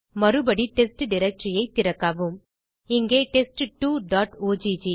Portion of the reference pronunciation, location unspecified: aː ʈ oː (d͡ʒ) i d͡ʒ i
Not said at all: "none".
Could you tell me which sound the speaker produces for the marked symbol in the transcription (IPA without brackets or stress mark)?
d͡ʒ